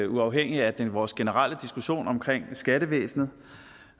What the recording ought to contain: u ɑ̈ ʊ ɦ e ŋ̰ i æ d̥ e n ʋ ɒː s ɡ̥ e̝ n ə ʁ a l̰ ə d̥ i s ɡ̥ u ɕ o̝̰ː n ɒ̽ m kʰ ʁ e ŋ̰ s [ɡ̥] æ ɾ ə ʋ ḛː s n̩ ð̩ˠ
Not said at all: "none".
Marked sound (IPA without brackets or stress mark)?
ɡ̥